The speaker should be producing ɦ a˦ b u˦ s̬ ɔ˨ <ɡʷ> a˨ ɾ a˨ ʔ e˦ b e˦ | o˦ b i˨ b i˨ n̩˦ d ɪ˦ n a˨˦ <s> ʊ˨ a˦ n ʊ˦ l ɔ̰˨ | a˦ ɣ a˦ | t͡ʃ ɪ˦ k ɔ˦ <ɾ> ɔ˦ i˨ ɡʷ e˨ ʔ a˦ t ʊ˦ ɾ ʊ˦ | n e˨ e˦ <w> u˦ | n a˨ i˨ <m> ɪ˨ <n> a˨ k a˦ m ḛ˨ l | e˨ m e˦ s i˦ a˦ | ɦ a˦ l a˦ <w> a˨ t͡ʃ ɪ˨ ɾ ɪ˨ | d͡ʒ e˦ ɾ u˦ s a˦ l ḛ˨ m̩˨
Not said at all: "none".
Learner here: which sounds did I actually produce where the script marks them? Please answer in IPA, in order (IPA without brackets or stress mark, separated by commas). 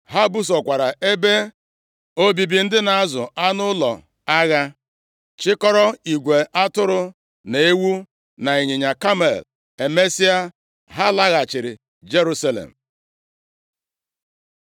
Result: kʷ, z, ɾ, w, ɲ, ɲ, ɣ